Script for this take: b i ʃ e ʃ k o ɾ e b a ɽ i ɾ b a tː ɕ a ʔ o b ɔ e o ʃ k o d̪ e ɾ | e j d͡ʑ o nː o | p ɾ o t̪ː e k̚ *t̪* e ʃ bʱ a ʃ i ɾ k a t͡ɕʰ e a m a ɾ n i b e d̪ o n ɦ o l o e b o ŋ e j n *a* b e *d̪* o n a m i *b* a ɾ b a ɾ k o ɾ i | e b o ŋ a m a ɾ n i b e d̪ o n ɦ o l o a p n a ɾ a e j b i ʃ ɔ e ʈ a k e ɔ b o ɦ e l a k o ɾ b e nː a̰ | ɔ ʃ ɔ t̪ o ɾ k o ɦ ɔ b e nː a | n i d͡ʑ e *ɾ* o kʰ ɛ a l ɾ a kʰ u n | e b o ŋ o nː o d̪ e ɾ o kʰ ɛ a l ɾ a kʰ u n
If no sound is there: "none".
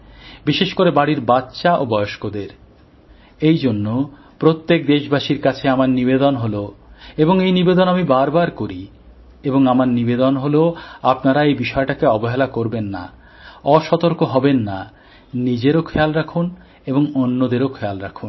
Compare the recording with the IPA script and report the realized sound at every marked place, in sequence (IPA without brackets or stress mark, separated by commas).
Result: d̪, i, d̪, b, ɾ